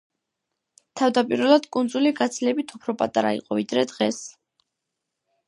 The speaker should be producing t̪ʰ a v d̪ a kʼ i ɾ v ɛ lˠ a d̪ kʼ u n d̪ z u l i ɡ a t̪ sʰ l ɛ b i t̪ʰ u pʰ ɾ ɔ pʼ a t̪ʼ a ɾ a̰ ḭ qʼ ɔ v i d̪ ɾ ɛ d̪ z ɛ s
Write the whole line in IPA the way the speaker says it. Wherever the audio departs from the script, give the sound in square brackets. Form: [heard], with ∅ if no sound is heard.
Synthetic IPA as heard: t̪ʰ a v d̪ a [pʼ] i ɾ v ɛ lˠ a d̪ kʼ u n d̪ z u l i ɡ a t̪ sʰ l ɛ b i t̪ʰ u pʰ ɾ ɔ pʼ a t̪ʼ a ɾ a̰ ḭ qʼ ɔ v i d̪ ɾ ɛ d̪ [ʁ] ɛ s